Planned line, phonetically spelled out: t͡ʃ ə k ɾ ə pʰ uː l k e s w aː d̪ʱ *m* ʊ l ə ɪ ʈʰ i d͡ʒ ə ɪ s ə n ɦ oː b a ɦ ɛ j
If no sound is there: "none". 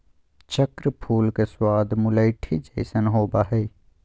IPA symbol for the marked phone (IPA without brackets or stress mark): m